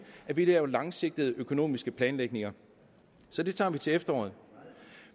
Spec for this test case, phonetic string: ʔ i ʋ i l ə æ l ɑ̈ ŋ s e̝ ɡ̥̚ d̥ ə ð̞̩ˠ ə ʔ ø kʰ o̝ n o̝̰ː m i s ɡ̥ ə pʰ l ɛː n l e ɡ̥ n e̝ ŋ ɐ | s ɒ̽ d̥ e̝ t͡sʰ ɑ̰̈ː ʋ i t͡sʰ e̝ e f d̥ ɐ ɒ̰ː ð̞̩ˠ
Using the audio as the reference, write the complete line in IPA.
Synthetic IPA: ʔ æ ʋ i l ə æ l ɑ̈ ŋ s e̝ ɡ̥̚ d̥ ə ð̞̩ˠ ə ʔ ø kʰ o̝ n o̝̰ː m i s ɡ̥ ə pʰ l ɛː n l e ɡ̥ n e̝ ŋ ɐ | s ɒ̽ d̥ e̝ t͡sʰ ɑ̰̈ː ʋ i t͡sʰ e̝ e f d̥ ɐ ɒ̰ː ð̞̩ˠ